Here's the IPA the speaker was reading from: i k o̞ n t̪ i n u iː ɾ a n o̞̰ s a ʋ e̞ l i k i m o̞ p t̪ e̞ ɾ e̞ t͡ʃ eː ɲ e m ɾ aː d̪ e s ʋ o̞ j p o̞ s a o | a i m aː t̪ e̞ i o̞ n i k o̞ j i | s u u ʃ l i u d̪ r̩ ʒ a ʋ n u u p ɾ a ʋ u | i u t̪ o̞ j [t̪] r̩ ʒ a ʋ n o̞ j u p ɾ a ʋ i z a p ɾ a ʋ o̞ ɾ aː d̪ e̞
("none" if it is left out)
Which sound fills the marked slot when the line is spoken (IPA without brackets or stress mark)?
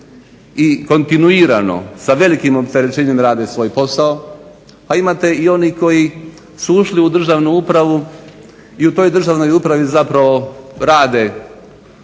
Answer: d̪